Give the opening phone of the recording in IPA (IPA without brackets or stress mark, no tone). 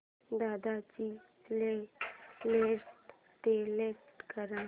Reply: d̪